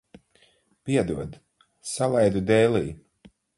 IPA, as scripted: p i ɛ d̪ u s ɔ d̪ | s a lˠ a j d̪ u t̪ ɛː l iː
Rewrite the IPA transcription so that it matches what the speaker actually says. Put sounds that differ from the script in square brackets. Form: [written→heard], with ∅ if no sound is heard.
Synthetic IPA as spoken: p i ɛ d̪ u [s→∅] ɔ d̪ | s a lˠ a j d̪ u [t̪→d̪] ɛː l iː